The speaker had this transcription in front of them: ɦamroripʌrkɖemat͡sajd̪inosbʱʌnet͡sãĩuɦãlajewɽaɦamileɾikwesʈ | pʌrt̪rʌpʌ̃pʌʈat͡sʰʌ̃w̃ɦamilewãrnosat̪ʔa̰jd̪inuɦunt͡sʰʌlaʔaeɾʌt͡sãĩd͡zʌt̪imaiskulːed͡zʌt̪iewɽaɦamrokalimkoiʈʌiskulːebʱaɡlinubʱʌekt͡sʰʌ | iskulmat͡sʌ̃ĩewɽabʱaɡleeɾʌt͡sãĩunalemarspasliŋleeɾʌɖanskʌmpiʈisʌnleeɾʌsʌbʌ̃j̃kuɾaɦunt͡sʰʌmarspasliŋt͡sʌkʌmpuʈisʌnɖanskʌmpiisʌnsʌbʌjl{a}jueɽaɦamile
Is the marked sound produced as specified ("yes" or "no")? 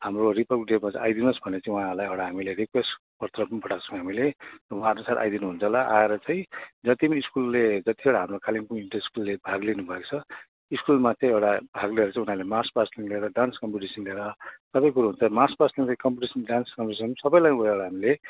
yes